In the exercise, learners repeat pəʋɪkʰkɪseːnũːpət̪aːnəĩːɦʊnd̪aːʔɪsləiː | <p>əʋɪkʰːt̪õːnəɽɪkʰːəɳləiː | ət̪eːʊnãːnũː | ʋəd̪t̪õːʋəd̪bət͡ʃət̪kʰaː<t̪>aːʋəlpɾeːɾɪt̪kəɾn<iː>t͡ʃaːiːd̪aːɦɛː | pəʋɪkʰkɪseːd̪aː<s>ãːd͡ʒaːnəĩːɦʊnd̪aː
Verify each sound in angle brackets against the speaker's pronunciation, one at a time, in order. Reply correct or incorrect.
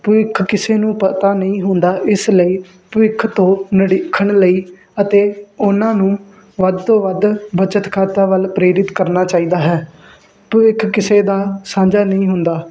correct, correct, incorrect, correct

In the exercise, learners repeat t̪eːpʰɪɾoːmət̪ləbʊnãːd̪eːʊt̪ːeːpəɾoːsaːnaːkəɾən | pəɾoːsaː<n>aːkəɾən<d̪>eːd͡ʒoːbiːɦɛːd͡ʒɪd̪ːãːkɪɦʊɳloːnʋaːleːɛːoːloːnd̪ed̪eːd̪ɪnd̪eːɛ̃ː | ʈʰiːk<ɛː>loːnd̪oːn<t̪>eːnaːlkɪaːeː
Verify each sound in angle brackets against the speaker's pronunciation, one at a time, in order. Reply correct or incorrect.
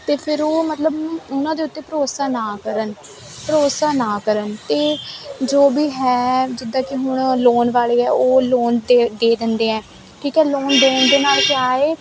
correct, incorrect, correct, incorrect

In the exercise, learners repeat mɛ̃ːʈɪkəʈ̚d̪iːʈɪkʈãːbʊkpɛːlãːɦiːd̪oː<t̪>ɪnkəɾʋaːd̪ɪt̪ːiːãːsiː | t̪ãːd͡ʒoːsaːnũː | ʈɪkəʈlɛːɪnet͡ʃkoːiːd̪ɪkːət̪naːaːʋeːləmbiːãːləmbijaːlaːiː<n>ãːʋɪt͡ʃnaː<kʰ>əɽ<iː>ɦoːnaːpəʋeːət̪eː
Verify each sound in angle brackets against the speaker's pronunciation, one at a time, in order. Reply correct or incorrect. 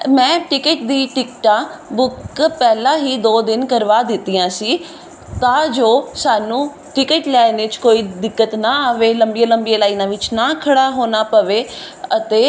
incorrect, correct, correct, incorrect

